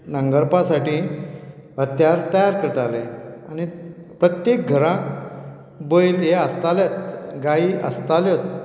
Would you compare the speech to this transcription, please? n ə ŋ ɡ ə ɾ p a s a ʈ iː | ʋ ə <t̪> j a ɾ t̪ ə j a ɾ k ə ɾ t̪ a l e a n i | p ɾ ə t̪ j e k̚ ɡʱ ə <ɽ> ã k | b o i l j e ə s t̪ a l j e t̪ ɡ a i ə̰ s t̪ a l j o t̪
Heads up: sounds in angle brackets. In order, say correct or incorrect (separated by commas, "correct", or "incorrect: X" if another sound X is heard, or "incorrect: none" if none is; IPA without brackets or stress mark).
correct, incorrect: ɾ